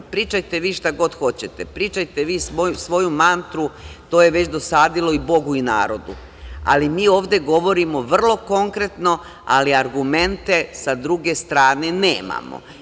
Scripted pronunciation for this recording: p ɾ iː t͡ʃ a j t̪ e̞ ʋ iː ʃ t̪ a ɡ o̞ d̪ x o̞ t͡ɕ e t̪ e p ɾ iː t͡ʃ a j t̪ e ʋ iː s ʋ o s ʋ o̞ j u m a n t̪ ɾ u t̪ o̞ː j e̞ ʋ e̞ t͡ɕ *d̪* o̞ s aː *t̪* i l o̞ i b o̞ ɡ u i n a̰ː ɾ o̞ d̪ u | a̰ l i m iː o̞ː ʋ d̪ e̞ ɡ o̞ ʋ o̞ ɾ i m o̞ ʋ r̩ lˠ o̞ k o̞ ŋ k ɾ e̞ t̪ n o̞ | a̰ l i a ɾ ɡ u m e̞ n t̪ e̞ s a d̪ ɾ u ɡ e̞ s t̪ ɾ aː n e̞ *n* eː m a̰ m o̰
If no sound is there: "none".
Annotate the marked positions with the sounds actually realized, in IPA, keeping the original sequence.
d̪, d̪, n

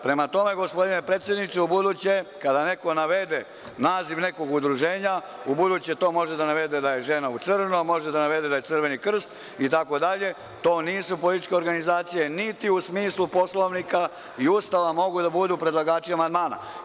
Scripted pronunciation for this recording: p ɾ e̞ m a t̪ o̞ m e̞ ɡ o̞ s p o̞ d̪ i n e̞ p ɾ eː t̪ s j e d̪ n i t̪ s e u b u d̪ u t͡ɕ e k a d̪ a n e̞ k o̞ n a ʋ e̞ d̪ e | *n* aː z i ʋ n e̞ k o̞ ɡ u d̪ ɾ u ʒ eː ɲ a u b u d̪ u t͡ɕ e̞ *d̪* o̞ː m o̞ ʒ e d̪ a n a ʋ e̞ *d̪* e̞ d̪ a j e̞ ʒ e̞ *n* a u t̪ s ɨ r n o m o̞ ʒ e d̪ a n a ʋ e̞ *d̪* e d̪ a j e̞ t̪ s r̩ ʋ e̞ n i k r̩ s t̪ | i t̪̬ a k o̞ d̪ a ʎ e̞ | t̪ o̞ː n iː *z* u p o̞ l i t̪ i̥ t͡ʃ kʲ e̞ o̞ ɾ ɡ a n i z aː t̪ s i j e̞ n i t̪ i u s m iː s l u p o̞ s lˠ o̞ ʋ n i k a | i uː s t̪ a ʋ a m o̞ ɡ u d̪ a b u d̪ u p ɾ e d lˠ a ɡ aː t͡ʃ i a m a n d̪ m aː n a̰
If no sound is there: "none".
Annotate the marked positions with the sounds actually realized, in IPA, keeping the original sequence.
n, t̪, d̪, n, d̪, s

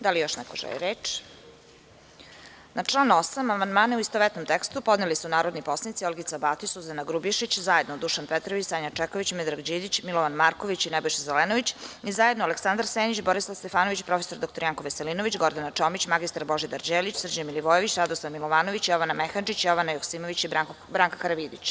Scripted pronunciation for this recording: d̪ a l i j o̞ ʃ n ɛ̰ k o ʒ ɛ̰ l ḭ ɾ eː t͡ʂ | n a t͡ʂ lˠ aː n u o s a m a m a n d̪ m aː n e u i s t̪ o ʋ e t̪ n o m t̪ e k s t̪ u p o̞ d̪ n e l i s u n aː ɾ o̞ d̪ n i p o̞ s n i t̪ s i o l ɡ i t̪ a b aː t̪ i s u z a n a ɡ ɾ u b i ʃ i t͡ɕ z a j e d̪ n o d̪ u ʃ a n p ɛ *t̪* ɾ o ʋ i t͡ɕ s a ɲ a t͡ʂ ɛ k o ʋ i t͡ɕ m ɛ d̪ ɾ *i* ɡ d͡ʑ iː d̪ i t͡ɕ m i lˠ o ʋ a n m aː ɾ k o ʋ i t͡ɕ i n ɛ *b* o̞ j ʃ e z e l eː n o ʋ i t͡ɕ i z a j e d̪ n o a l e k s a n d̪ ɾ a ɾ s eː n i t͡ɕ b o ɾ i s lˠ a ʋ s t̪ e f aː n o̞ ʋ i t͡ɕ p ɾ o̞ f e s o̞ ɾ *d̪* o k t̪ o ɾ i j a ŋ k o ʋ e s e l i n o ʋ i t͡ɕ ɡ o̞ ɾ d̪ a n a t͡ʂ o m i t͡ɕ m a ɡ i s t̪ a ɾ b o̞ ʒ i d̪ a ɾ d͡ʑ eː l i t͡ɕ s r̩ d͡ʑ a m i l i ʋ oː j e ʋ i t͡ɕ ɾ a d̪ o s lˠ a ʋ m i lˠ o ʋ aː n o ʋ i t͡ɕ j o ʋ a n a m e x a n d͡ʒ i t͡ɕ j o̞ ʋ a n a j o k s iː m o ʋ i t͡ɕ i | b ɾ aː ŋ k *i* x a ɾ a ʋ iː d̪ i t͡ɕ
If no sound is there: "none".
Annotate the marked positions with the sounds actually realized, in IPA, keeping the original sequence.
t̪, a, b, d̪, a

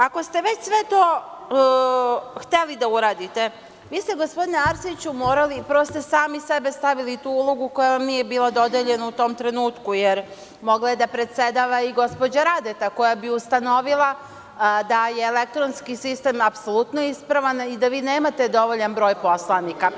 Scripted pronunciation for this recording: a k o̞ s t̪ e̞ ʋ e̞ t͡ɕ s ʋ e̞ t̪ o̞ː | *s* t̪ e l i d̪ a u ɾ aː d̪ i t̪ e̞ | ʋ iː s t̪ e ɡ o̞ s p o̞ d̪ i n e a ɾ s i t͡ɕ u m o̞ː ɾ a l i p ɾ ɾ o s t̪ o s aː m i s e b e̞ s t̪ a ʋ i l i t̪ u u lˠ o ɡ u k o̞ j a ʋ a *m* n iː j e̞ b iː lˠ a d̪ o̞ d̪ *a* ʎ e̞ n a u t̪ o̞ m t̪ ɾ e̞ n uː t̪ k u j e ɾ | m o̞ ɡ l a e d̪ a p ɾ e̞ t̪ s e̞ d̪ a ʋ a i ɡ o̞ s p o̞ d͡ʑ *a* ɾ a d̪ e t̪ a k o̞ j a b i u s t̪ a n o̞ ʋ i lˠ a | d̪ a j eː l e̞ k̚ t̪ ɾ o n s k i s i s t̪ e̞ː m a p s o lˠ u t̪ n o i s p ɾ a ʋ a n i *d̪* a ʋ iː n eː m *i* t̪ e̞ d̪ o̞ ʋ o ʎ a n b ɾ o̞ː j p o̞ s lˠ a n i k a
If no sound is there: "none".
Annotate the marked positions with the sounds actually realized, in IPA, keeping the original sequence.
x, m, e, a, d̪, a

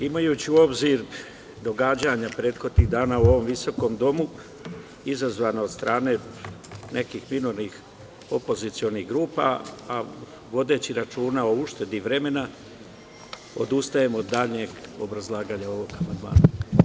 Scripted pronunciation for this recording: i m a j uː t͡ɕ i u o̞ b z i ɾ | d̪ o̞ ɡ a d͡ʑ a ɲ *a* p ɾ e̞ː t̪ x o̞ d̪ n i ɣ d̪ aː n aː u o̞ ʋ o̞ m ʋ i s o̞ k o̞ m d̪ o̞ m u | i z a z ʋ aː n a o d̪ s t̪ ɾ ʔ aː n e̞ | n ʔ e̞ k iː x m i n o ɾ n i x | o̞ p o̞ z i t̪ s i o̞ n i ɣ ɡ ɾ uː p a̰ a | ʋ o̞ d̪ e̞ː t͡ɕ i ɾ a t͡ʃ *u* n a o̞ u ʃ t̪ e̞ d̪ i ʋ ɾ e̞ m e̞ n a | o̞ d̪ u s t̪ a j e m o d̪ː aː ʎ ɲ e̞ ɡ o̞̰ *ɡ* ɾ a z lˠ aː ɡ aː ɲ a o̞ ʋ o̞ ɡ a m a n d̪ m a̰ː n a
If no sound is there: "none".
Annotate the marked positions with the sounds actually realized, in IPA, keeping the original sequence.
a, uː, b

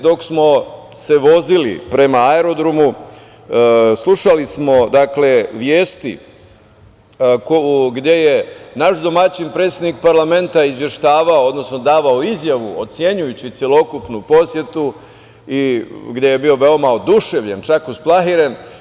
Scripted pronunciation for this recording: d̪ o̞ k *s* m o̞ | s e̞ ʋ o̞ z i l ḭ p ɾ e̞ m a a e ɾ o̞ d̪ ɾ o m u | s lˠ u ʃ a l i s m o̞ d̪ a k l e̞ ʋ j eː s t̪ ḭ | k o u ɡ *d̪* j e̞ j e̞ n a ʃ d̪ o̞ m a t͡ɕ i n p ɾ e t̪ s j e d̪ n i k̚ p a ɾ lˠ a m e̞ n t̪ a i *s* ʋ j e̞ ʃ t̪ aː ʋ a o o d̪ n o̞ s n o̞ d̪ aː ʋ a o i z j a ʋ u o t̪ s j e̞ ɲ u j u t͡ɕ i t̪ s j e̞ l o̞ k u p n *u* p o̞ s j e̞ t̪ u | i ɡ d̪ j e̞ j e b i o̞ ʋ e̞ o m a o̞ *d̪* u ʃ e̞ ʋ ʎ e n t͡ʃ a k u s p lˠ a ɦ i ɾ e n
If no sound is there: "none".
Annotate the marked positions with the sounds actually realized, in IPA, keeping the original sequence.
s, d̪, z, u, d̪

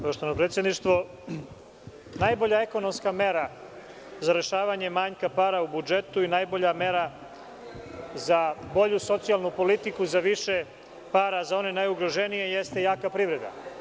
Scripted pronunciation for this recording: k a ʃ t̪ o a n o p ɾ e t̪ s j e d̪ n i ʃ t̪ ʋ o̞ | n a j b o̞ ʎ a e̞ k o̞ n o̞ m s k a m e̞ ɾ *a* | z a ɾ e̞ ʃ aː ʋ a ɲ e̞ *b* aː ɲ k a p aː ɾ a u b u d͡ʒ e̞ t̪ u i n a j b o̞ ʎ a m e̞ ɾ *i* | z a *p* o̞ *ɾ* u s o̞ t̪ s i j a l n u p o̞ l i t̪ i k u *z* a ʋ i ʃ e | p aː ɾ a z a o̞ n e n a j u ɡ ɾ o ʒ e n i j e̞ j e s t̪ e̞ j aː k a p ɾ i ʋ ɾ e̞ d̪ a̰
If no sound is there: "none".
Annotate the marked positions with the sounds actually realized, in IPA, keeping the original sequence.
a, m, a, b, ʎ, z

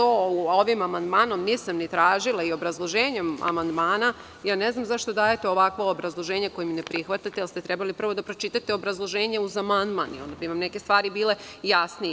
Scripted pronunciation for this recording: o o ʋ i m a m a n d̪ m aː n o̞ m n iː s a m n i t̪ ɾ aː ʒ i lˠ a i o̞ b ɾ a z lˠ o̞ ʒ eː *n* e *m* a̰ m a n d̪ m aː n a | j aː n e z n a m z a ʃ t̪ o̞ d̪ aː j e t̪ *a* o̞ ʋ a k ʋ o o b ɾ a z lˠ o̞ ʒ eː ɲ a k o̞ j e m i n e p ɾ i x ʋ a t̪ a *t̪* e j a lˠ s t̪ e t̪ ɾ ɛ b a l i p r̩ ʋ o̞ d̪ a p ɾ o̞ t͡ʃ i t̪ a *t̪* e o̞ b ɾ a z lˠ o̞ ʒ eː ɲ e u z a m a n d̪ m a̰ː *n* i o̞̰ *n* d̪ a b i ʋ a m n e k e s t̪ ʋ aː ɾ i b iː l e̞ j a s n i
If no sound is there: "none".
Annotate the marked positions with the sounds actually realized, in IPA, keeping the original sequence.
ɲ, m, e, t̪, t̪, n, n

